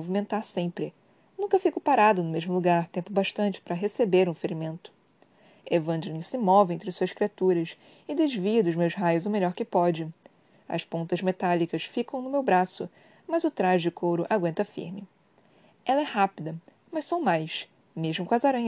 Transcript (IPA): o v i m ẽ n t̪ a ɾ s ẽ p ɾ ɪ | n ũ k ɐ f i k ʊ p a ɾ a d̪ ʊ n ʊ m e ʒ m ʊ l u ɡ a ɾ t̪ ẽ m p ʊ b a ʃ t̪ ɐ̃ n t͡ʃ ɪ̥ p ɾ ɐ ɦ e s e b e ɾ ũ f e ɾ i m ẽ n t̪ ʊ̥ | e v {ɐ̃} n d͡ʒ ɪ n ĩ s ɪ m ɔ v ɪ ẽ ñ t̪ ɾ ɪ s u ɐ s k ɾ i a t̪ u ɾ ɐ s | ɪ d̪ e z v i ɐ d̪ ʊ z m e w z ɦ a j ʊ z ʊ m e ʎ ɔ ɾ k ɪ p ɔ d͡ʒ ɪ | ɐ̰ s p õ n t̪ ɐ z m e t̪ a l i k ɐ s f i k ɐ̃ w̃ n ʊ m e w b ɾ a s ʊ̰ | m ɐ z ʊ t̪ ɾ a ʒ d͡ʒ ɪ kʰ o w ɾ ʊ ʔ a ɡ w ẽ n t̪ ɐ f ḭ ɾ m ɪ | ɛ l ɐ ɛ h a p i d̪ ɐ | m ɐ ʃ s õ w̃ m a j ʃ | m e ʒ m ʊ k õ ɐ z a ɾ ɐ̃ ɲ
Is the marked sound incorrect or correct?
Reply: correct